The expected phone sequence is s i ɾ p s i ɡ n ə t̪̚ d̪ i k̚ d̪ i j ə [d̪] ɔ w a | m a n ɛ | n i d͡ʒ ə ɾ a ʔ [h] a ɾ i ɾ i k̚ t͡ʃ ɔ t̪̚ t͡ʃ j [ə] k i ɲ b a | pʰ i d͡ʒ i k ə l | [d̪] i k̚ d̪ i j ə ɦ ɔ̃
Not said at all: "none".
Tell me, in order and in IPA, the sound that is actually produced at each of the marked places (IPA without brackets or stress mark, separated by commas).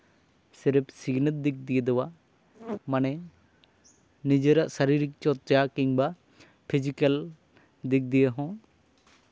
d̪, s, a, d̪